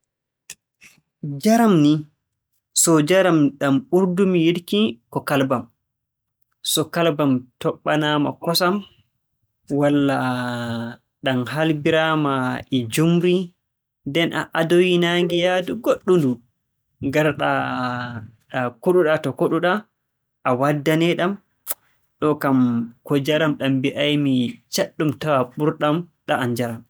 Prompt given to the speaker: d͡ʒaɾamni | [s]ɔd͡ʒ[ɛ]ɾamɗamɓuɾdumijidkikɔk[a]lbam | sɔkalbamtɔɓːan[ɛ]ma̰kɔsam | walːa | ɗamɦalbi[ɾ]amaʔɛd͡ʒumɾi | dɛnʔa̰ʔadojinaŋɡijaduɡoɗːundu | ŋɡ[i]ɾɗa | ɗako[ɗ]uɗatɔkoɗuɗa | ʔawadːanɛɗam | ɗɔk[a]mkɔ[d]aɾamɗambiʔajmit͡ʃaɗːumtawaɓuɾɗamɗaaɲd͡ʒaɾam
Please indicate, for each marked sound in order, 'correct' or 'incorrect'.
correct, incorrect, correct, incorrect, correct, incorrect, correct, correct, incorrect

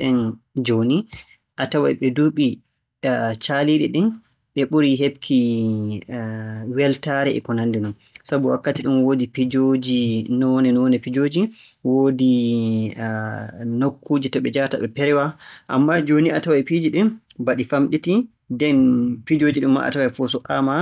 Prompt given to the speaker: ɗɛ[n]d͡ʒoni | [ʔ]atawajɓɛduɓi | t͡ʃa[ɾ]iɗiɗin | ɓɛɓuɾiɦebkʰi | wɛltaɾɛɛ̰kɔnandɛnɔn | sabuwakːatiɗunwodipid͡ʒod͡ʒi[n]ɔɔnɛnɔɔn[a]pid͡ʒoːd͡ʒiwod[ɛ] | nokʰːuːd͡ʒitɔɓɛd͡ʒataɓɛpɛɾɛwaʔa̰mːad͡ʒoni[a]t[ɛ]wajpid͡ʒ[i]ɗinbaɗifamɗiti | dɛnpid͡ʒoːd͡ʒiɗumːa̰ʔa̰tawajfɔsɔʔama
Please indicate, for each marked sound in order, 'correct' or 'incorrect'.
correct, correct, incorrect, correct, incorrect, incorrect, correct, incorrect, correct

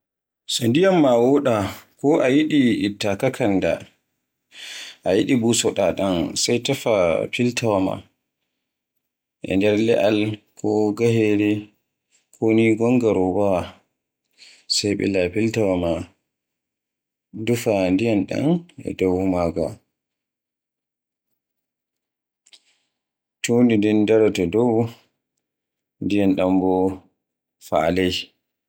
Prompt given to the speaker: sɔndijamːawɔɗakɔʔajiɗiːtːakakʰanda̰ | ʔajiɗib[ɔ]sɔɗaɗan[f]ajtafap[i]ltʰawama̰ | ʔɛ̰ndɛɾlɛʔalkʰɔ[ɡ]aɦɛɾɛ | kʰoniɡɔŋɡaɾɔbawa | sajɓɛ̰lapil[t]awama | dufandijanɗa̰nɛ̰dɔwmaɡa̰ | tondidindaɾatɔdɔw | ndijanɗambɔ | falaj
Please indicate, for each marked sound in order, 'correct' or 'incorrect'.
incorrect, incorrect, correct, correct, correct

